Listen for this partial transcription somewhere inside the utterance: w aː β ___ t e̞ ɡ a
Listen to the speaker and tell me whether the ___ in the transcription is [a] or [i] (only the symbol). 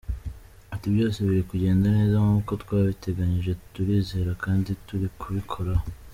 i